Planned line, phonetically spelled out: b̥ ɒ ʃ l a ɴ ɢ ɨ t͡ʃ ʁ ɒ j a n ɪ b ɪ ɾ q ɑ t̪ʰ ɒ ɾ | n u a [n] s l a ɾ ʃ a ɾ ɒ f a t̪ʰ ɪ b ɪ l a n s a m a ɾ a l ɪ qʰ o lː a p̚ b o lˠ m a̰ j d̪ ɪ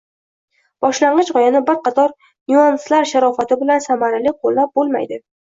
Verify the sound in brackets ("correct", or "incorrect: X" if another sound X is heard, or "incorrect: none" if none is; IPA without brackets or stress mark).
correct